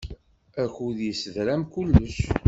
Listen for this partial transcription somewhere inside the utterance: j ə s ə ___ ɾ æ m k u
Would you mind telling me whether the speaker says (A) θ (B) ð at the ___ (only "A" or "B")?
B